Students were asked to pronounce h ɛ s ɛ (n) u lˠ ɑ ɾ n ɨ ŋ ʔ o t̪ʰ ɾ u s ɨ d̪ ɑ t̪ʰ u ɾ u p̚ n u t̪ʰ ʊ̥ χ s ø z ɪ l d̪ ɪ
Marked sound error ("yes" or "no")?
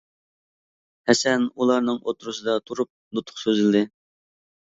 no